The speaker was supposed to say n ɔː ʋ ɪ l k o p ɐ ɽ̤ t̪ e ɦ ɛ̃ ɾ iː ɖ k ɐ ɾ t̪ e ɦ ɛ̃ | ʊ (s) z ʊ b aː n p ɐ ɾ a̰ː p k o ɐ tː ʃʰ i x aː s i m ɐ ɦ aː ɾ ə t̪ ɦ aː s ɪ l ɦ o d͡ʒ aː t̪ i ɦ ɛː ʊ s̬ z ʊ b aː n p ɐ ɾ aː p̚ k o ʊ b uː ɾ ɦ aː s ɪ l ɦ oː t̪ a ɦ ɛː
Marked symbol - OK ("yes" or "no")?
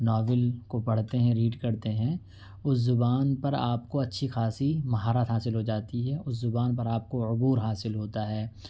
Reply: yes